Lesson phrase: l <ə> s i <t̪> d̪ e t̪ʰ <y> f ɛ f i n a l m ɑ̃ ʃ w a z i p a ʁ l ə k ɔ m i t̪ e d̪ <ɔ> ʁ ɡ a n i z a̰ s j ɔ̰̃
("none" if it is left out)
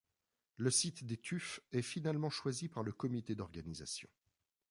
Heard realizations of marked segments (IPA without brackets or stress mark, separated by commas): ə, t̪, y, ɔ